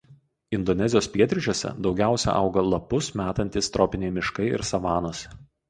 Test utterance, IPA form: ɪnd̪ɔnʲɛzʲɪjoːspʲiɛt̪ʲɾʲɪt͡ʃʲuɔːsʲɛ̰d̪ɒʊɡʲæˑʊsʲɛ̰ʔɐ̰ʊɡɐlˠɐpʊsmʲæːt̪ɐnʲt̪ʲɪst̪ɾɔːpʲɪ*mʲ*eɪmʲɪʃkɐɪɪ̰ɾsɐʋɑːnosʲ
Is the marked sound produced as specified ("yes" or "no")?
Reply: no